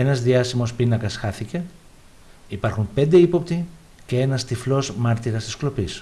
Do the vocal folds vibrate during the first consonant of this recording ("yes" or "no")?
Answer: yes